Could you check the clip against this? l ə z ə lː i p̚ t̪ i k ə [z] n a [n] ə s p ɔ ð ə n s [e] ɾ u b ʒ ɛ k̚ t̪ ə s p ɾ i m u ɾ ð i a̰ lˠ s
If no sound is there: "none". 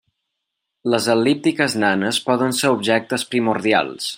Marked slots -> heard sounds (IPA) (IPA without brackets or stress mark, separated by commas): z, n, e